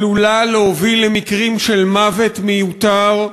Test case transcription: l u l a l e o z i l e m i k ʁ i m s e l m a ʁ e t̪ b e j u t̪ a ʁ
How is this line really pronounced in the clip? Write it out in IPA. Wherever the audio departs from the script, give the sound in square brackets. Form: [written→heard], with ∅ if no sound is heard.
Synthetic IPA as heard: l u l a l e o [z→v] i l e m i k ʁ i m [s→ʃ] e l m a [ʁ→v] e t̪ [b→m] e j u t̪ a ʁ